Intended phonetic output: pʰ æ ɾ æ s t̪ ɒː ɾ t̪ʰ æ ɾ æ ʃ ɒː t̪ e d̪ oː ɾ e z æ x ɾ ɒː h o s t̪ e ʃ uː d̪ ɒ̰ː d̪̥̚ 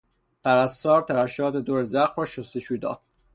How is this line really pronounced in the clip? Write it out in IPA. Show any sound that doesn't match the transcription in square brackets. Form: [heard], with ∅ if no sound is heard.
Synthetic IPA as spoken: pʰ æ ɾ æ s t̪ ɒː ɾ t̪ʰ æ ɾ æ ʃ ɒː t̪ e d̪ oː ɾ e z æ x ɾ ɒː [ʃ] o s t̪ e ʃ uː d̪ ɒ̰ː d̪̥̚